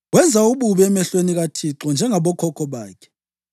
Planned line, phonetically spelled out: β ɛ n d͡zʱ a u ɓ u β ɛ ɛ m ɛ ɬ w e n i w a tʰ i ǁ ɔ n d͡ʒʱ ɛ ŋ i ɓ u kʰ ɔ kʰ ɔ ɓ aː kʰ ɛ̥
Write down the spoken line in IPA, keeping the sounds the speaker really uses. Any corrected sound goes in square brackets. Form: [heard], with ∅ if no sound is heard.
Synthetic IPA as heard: [w] ɛ n d͡zʱ a u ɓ u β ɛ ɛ m ɛ ɬ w e n i [ɣ] a tʰ i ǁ ɔ n d͡ʒʱ ɛ ŋ [a] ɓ [ɔ] kʰ ɔ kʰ ɔ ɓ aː kʰ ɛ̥